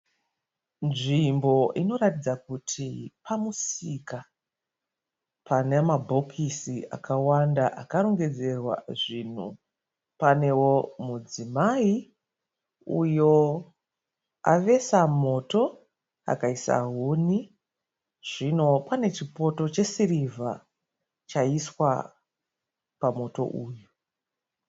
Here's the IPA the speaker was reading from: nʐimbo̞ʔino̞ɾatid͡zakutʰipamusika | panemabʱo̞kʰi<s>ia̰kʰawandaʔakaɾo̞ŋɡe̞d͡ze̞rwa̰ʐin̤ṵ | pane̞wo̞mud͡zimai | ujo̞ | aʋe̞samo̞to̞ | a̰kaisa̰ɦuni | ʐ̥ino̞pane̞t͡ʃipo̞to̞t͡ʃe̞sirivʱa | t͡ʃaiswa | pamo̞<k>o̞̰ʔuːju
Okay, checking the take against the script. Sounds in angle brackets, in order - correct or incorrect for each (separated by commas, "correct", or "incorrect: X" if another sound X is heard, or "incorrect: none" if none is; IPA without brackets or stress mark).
correct, incorrect: t